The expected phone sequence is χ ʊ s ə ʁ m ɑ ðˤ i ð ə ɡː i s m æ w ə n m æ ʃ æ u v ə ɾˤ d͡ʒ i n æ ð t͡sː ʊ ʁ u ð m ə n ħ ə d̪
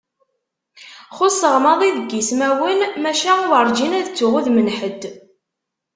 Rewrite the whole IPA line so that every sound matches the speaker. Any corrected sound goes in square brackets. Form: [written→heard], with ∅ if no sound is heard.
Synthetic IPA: χ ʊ s ə ʁ m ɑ ðˤ i ð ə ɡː i s m æ w ə n m æ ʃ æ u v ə ɾˤ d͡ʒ i n æ ð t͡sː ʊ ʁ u ð m ə n ħ ə d̪